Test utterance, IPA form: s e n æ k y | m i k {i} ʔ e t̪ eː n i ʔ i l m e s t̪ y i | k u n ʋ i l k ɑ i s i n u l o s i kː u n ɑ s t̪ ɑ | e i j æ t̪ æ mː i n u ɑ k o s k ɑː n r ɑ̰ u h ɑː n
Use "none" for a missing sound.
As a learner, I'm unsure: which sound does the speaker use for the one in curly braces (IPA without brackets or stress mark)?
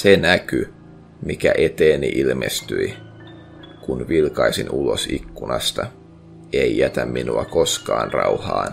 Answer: æ